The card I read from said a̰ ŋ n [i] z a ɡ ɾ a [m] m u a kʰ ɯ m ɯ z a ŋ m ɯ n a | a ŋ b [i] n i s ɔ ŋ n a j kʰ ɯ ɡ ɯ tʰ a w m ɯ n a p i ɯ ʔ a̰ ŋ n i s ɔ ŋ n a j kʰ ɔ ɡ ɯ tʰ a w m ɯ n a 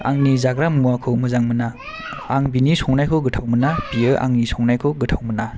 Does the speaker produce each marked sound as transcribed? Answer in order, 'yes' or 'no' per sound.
yes, yes, yes

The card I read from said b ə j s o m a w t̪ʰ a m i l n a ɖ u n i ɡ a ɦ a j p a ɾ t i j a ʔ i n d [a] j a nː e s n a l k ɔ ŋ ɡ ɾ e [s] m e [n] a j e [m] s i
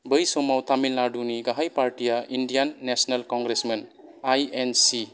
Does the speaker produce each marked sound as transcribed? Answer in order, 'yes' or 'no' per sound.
no, yes, yes, no

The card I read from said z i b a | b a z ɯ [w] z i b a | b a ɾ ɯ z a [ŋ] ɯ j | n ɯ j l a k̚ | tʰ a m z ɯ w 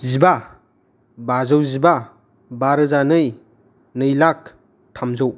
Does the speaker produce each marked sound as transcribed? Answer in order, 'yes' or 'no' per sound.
yes, no

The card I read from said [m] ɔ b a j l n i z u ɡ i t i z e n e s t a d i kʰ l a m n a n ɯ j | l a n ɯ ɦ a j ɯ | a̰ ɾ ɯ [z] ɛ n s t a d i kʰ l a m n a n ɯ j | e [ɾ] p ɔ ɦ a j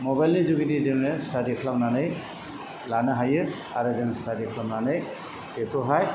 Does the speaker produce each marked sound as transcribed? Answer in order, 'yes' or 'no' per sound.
yes, yes, no

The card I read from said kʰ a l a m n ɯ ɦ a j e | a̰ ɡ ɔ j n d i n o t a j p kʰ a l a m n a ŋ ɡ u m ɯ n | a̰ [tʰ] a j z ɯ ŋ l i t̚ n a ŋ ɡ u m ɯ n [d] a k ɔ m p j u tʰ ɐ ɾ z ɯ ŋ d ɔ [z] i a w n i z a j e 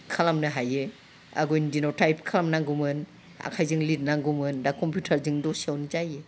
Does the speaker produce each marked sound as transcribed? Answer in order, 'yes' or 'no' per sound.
no, yes, no

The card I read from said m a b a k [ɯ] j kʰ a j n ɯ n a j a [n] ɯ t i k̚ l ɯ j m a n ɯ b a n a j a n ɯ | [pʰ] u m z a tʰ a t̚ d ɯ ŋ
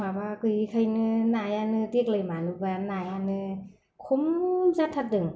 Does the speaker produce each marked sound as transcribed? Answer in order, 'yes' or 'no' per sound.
yes, yes, no

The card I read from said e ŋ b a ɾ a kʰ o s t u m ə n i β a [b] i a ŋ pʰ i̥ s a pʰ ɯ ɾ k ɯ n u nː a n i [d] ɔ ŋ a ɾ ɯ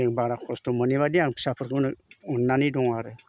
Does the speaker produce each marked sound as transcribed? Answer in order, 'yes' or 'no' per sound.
no, yes

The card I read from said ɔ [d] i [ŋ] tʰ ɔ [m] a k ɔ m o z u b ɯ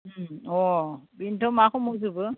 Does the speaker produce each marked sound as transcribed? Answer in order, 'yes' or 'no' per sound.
no, no, yes

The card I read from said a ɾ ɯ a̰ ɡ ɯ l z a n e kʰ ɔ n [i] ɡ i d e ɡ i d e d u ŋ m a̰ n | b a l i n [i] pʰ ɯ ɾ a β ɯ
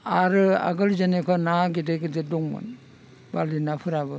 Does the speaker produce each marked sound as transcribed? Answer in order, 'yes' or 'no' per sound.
no, no

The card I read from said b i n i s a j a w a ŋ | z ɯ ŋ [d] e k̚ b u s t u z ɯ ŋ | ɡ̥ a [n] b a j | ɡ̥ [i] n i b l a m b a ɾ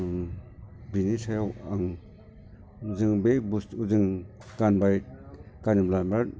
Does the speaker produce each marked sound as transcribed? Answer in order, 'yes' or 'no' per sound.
no, yes, no

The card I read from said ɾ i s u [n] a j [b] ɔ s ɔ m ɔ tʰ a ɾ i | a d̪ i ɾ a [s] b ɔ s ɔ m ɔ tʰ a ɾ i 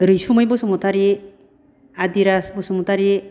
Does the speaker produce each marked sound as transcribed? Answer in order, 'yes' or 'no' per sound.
no, yes, yes

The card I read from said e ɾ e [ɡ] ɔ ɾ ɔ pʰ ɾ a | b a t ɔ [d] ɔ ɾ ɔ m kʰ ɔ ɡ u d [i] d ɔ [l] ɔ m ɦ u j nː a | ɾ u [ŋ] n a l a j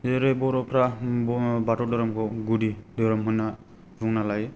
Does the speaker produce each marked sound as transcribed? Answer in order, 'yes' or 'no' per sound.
no, yes, yes, no, yes

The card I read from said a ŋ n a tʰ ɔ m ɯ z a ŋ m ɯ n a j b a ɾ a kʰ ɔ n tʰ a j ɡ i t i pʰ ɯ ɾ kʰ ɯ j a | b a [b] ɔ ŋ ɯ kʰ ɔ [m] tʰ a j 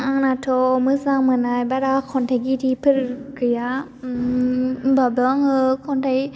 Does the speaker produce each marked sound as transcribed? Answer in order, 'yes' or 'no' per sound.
yes, no

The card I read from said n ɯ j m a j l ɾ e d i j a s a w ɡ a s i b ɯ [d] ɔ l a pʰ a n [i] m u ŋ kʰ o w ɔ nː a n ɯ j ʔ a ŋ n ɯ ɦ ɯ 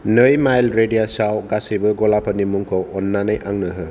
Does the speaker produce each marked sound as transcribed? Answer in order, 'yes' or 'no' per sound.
no, yes

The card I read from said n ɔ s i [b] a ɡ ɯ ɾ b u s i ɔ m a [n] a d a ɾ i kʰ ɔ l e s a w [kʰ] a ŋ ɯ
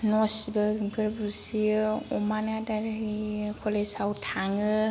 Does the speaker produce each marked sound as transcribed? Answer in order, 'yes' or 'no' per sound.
yes, yes, no

